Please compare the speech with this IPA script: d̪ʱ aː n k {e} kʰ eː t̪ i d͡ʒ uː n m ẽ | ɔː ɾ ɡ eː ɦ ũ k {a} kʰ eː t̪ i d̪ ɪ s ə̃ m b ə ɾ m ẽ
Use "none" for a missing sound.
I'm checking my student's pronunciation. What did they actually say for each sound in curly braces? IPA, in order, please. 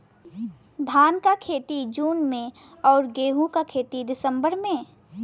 a, a

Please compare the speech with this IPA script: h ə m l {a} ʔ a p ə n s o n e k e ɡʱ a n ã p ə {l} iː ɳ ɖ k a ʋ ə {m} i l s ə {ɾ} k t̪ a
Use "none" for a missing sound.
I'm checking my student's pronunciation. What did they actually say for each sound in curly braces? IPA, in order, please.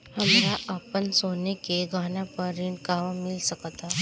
a, ɾ, m, none

